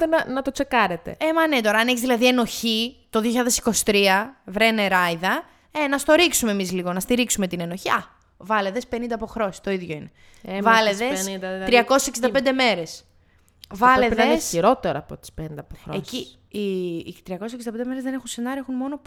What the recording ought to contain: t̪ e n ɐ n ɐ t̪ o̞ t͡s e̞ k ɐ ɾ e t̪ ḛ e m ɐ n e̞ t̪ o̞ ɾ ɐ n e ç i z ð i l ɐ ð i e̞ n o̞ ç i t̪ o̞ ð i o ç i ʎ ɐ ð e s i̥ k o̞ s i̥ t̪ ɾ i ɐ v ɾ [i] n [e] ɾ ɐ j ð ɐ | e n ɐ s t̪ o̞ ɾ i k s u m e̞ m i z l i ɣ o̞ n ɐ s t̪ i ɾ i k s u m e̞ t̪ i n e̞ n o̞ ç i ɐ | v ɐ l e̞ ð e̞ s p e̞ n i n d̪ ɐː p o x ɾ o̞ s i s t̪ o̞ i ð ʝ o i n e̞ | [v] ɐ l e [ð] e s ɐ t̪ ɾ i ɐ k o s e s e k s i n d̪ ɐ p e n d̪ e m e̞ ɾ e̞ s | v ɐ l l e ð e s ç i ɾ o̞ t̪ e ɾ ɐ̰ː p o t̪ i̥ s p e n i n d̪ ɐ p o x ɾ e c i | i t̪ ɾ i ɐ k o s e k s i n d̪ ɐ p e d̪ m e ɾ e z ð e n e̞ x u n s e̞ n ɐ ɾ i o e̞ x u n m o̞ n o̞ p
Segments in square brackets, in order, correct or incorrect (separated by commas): incorrect, correct, correct, correct